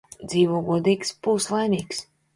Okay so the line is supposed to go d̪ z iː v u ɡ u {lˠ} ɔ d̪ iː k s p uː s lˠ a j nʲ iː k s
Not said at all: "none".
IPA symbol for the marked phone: none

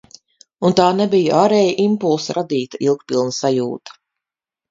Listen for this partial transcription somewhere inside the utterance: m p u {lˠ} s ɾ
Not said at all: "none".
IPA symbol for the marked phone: lˠ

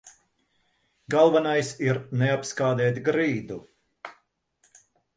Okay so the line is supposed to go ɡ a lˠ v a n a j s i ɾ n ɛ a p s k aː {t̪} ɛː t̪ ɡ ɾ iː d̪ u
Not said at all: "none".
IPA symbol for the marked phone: d̪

